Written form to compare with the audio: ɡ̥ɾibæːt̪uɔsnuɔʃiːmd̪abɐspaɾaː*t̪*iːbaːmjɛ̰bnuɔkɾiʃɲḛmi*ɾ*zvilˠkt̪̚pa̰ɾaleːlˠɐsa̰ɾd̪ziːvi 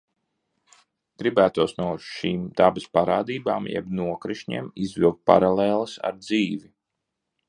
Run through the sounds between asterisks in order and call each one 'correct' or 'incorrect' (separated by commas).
incorrect, incorrect